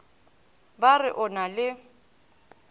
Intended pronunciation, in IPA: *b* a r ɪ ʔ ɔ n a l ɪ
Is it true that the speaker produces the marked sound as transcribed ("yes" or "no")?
yes